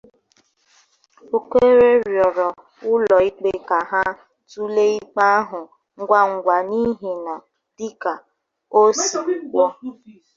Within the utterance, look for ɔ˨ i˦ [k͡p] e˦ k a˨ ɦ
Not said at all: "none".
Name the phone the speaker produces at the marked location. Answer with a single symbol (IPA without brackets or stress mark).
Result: k͡p